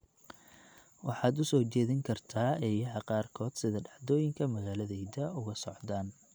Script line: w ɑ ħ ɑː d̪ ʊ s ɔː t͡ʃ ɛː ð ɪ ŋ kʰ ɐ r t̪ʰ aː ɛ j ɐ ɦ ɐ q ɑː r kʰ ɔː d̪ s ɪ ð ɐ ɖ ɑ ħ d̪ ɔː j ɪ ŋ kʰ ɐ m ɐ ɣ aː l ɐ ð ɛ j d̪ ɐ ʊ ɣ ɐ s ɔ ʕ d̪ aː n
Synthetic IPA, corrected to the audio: w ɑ ħ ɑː d̪ ʊ s ɔː t͡ʃ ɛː ð ɪ ŋ kʰ ɐ r t̪ʰ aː ɛ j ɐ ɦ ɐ q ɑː r kʰ ɔː d̪ s ɪ ð ɐ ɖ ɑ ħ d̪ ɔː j ɪ ŋ kʰ ɐ m ɐ ɣ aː l ɐ ð ɛ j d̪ ɐ ʊ ɣ ɐ s ɔ ʕ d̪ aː n